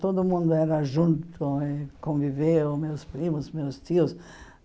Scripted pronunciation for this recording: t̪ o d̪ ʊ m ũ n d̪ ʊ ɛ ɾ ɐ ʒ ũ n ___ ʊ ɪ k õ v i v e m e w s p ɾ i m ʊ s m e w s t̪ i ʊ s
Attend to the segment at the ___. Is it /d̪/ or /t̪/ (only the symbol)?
t̪